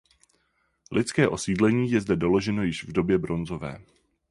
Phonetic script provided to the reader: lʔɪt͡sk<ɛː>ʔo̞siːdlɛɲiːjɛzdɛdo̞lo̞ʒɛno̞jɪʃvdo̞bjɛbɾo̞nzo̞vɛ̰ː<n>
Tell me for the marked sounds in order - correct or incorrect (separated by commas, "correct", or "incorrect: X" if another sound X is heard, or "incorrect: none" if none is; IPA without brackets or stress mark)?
correct, incorrect: none